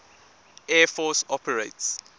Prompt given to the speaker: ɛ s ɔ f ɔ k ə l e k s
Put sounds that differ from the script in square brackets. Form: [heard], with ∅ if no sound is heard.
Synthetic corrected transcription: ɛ [f] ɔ [s] ɔ [p] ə [ɹ] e [t] s